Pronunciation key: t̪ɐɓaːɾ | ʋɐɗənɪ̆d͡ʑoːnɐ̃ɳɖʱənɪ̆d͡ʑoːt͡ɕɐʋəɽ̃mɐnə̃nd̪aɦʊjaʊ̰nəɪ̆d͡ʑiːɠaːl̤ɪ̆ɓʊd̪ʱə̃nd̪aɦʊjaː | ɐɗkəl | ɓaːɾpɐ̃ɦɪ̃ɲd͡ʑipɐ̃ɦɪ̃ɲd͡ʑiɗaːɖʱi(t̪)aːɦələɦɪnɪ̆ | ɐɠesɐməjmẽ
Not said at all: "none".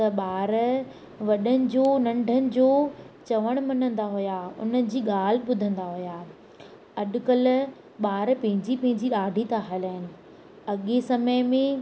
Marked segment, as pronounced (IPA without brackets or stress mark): t̪